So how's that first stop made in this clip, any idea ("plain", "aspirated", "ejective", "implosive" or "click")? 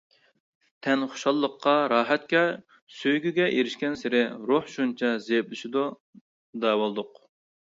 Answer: aspirated